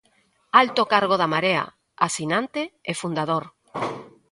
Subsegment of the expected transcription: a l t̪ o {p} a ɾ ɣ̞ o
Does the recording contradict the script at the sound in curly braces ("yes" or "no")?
yes